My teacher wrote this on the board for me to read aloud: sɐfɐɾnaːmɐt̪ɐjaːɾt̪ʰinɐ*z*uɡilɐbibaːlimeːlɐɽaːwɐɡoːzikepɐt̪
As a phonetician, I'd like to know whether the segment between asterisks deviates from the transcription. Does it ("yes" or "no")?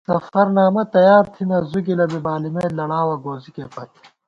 no